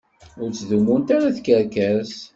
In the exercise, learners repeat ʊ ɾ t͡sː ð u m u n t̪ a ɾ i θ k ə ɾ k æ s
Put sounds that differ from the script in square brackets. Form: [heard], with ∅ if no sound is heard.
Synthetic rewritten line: ʊ ɾ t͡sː ð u m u n t̪ a ɾ [a] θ k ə ɾ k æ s